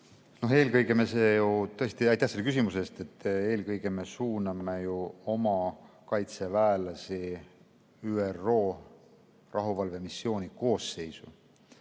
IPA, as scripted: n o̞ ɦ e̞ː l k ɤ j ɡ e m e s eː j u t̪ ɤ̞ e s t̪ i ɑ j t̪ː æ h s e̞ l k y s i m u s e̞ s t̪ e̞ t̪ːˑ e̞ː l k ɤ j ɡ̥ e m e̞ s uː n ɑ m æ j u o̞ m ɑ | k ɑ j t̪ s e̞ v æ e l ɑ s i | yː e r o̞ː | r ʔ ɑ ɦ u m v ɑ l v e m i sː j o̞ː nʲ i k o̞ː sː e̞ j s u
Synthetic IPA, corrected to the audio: n o̞ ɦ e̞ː l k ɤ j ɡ e m e s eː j u t̪ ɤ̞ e s t̪ i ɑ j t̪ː æ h s e̞ l k y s i m u s e̞ s t̪ e̞ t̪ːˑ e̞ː l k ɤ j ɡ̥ e m e̞ s uː n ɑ m e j u o̞ m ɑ | k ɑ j t̪ s e̞ v æ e l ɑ s i | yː e r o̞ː | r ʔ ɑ ɦ u v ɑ l v e m i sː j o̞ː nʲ i k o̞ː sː e̞ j s u